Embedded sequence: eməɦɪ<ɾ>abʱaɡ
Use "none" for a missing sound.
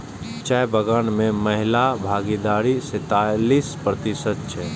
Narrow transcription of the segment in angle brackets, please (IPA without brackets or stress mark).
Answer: l